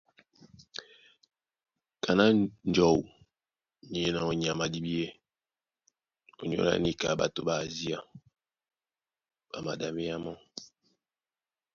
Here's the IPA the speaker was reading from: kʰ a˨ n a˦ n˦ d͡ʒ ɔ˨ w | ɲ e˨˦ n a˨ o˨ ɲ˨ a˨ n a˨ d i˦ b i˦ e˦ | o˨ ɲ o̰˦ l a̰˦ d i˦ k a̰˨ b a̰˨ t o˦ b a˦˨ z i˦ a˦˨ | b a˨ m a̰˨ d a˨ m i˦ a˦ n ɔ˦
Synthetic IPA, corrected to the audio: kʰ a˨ n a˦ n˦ d͡ʒ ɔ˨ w | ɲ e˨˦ n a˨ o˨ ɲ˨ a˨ m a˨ d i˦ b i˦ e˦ | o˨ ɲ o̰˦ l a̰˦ n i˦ k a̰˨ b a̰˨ t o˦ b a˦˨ z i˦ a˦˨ | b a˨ m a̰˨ d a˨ m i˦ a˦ m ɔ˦